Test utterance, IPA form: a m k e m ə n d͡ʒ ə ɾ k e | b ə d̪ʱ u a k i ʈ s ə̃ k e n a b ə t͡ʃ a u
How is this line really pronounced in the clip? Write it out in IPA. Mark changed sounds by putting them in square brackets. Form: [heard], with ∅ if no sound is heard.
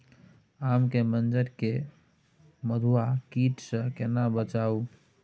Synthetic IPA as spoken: a m k e m ə n d͡ʒ ə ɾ k e | [m] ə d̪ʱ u a k i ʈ s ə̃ k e n a b ə t͡ʃ a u